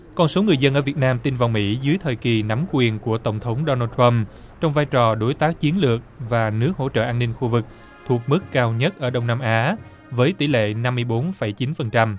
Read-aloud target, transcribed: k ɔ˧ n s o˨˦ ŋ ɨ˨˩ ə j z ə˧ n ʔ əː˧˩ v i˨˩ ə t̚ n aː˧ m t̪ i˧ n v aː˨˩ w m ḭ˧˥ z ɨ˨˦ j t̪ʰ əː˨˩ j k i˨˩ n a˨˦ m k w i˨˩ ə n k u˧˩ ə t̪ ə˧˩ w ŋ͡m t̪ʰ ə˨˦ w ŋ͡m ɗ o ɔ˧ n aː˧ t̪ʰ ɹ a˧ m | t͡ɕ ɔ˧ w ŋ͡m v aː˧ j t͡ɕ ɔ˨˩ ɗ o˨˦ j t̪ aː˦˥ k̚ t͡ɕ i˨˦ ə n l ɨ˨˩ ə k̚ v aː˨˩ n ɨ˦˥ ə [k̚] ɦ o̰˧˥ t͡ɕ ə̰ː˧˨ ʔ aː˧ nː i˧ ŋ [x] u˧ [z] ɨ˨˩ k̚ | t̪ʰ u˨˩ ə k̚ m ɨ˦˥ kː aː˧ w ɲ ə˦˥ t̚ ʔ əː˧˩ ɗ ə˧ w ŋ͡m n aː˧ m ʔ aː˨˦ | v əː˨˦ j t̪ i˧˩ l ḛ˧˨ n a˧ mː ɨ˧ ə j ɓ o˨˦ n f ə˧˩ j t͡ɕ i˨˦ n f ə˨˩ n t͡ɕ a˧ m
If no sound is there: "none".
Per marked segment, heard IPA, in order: k̚, x, v

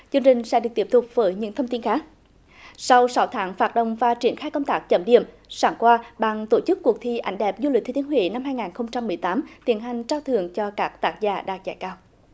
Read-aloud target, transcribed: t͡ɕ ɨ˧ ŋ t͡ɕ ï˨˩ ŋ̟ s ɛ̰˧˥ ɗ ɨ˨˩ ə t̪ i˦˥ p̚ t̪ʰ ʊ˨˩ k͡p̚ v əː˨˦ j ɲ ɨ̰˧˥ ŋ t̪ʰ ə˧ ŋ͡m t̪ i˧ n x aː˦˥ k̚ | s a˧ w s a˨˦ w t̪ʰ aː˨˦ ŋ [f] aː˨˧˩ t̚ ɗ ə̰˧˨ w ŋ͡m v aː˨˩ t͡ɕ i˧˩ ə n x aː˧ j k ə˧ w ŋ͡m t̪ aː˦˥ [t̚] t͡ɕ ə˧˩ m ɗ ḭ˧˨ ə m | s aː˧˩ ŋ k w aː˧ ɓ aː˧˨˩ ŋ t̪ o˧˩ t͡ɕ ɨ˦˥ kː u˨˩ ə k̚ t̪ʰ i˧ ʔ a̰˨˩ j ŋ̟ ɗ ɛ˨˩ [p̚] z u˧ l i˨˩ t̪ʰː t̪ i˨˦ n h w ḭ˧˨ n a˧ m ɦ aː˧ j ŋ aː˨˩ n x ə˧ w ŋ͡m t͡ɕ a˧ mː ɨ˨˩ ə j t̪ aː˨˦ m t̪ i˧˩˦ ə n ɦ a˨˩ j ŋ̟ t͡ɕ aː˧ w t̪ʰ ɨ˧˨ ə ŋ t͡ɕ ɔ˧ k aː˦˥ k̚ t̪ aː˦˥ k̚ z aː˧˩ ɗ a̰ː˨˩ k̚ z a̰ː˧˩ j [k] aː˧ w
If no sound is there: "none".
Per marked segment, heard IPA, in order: f, k̚, p̚, k

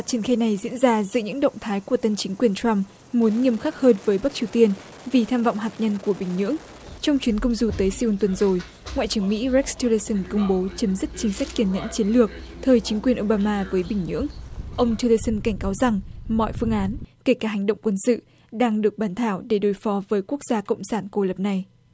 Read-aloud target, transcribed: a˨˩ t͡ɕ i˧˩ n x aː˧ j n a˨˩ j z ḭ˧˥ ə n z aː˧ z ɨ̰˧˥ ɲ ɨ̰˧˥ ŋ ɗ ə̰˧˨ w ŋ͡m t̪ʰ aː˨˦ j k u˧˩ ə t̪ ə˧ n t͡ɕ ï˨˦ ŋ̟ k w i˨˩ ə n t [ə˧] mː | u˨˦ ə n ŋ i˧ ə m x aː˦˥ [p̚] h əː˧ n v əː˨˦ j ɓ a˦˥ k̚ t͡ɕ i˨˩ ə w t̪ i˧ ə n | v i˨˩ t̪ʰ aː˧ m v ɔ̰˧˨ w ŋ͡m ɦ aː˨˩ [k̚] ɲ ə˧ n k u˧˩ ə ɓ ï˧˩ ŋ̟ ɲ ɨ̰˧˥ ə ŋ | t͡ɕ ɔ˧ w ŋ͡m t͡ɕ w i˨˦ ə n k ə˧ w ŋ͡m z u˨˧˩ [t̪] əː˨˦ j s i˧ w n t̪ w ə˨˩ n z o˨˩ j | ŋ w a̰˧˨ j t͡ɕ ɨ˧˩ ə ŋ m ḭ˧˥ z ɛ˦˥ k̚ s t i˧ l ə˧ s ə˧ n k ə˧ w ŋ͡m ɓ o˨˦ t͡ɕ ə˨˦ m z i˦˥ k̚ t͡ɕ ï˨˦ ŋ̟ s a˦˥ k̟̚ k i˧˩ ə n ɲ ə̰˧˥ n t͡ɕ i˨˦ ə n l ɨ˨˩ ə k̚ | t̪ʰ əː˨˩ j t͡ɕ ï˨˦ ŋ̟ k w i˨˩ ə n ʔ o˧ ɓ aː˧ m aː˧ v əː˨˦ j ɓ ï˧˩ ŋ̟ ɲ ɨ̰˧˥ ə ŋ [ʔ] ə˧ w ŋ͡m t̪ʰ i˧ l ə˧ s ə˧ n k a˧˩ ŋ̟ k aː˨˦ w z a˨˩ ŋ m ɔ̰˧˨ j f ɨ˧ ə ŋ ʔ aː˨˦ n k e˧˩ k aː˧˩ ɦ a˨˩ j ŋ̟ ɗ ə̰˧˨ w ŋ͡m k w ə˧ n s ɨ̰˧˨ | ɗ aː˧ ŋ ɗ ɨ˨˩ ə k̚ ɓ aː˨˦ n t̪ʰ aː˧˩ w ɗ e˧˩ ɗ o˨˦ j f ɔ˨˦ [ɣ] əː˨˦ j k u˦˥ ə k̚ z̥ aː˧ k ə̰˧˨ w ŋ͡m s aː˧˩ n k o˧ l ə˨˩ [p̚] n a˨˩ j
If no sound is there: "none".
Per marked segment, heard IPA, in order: a˧, k̚, t̚, t̪, ʔ, v, p̚

